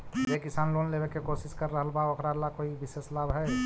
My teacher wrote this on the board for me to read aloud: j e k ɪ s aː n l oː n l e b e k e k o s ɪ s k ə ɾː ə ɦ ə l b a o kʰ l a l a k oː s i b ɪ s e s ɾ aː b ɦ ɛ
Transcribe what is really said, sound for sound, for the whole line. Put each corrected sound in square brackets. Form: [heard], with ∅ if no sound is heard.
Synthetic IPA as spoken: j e k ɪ s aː n l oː n l e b e k e k o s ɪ s k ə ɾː ə ɦ ə l b a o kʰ [ɾ] a l a k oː [∅] i b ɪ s e s [l] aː b ɦ ɛ